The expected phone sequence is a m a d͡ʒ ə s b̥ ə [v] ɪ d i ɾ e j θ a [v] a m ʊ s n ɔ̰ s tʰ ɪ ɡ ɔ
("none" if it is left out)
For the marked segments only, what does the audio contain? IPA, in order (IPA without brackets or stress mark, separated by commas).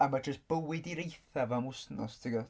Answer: w, v